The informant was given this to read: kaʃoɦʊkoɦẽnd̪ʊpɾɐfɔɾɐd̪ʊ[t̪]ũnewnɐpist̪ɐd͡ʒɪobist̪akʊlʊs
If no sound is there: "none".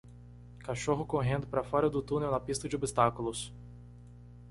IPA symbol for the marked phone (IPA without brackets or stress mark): t̪